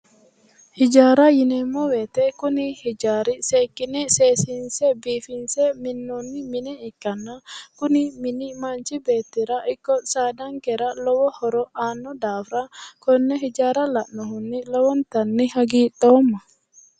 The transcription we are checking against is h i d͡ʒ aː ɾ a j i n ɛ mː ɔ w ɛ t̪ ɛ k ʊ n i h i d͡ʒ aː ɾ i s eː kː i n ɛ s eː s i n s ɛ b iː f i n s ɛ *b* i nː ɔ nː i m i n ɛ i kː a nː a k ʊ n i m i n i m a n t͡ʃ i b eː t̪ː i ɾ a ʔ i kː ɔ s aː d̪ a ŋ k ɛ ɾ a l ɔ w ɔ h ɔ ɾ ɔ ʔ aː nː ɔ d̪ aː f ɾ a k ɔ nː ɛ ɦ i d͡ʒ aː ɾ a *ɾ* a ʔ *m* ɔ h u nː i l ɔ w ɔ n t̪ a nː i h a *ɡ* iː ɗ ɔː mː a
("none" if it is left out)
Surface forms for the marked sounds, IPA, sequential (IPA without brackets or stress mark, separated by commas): m, l, n, ɡ